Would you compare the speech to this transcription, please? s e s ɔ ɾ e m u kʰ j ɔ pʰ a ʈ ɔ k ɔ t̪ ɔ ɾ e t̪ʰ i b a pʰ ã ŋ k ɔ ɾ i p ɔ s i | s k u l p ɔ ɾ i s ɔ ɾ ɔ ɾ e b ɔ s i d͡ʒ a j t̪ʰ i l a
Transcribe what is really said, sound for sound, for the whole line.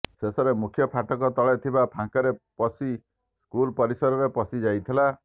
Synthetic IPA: s e s ɔ ɾ e m u kʰ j ɔ pʰ a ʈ ɔ k ɔ t̪ ɔ ɭ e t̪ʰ i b a pʰ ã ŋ k ɔ ɾ e p ɔ s i | s k u l p ɔ ɾ i s ɔ ɾ ɔ ɾ e p ɔ s i d͡ʒ a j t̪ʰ i l a